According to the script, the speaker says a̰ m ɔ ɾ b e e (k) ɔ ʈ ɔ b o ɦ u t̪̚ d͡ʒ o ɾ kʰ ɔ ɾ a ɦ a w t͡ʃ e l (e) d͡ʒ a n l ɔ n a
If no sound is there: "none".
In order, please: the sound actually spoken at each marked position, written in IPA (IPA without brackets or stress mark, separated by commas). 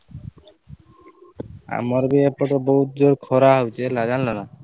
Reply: p, a